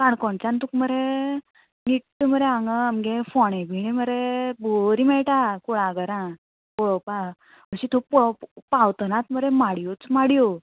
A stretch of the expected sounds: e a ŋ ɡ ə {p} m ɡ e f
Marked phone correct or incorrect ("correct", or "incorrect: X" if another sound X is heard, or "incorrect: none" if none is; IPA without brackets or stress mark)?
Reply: incorrect: none